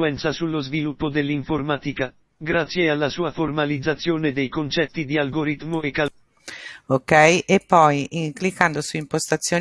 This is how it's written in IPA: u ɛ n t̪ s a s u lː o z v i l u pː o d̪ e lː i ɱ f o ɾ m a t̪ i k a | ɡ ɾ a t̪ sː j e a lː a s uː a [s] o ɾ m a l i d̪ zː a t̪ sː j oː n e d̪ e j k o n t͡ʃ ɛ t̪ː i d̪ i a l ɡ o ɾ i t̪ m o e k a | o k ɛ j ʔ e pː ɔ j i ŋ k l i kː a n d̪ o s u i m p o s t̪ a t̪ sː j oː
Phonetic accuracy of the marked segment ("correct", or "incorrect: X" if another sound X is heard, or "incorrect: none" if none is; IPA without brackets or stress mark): incorrect: f